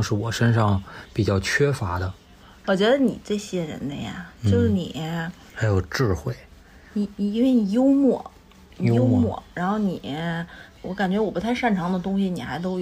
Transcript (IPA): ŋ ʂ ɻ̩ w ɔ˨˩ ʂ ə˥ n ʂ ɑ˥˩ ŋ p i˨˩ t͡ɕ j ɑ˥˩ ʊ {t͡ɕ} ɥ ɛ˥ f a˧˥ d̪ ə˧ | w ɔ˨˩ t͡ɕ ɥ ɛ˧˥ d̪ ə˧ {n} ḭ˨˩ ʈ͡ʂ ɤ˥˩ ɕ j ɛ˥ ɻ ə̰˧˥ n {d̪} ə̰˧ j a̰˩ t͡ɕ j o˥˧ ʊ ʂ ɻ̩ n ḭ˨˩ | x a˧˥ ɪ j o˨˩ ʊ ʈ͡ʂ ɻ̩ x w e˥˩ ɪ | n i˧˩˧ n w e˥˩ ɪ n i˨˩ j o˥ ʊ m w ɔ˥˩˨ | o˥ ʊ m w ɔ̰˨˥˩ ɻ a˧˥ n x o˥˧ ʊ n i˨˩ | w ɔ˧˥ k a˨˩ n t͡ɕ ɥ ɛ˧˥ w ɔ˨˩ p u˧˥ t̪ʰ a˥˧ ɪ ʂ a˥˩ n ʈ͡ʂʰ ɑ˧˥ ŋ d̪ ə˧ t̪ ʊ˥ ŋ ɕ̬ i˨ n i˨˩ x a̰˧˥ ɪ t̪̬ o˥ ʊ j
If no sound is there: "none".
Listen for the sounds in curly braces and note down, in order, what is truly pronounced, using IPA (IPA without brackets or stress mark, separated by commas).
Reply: t͡ɕʰ, n, d̪